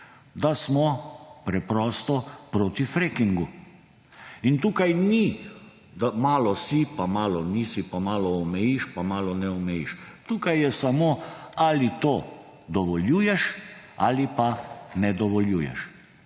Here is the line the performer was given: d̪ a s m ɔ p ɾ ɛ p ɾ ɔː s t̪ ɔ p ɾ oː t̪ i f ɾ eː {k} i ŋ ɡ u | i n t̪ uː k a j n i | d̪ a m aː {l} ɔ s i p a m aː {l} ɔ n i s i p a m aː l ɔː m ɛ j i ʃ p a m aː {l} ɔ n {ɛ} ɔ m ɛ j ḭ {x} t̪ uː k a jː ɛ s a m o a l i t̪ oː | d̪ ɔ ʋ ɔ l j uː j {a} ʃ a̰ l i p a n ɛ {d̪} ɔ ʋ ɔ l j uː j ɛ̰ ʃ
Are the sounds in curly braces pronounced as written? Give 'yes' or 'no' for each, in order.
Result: yes, yes, yes, yes, yes, no, no, yes

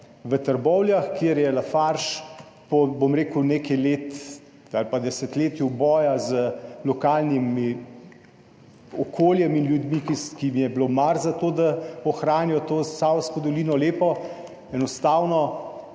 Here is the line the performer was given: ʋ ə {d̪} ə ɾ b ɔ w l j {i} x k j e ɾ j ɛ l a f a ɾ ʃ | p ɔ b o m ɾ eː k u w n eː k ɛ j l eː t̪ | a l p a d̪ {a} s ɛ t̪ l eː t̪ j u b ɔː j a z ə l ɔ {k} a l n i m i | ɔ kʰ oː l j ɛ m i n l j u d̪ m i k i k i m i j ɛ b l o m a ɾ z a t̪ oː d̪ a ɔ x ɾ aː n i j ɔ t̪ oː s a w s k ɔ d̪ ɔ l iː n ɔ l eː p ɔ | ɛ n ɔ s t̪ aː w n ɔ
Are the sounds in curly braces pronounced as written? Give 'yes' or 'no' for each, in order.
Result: no, no, no, yes

